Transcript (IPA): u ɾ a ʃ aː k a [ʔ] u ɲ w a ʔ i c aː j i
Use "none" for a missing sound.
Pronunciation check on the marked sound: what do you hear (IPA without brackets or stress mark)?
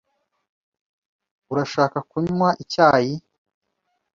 k